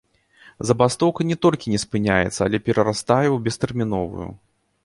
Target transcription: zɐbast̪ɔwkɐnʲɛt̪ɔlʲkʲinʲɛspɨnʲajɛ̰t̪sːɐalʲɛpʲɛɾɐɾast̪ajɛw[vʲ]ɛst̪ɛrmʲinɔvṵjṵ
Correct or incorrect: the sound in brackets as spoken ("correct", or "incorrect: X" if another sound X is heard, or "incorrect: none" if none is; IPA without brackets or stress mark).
incorrect: bʲ